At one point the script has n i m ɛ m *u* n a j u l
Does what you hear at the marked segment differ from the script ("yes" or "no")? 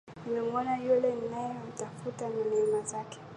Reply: yes